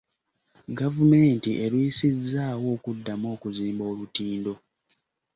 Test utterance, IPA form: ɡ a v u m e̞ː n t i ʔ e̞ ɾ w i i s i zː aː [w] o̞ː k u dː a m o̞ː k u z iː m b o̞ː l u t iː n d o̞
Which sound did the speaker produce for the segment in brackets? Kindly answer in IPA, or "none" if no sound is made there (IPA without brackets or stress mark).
w